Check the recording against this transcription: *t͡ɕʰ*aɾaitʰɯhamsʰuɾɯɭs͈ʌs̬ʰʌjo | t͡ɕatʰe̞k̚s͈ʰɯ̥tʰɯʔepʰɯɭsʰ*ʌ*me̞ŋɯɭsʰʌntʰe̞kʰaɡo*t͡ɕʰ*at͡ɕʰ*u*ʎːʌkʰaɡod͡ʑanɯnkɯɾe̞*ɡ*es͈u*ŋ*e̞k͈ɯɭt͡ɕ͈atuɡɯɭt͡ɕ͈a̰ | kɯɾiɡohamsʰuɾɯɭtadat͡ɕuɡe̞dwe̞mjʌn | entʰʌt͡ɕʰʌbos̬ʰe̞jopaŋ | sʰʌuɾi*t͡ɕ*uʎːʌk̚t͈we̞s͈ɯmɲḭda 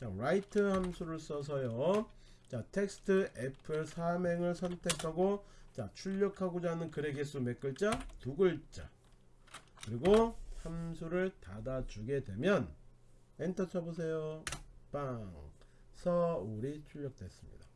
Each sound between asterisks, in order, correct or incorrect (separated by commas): incorrect, incorrect, incorrect, correct, correct, incorrect, incorrect